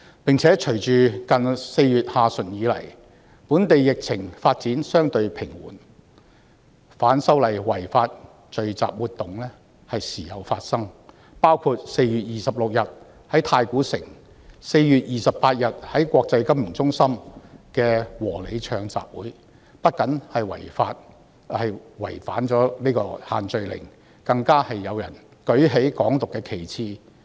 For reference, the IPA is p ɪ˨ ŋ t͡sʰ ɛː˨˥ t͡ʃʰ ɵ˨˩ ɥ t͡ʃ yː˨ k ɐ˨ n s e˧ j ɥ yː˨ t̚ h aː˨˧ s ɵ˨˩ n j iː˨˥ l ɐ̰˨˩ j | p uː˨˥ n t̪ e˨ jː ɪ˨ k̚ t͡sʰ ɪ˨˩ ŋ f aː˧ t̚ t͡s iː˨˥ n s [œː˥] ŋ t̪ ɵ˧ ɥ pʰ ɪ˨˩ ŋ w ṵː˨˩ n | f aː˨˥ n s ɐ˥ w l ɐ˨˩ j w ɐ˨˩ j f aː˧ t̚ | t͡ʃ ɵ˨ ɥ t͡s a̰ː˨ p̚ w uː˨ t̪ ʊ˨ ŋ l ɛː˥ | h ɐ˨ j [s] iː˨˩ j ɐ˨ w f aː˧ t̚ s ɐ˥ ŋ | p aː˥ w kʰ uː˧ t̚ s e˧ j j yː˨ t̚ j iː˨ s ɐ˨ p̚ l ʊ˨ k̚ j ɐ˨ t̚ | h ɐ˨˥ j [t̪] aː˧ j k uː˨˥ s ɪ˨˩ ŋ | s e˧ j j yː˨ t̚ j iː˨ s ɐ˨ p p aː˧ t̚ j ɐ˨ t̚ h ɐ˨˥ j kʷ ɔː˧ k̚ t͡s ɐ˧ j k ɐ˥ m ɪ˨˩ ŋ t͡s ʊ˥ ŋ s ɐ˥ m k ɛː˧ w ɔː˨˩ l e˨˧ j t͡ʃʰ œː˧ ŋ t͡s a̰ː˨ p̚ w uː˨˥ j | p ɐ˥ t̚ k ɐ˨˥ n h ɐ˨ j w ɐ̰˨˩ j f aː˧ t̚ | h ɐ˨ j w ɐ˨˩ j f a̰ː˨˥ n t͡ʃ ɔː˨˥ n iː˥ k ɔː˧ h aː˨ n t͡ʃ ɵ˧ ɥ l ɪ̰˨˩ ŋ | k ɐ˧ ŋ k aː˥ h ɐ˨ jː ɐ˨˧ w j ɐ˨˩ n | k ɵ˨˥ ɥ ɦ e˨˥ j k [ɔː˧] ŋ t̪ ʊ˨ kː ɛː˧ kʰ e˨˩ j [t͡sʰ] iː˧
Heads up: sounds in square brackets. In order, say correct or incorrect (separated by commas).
correct, correct, incorrect, incorrect, correct